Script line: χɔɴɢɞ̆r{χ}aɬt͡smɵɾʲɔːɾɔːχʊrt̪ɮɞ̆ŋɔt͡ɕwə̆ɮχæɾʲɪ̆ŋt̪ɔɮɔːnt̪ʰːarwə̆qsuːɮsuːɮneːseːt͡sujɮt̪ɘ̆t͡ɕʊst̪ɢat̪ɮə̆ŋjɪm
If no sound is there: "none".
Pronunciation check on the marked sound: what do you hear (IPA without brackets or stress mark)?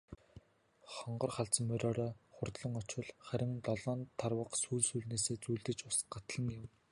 χ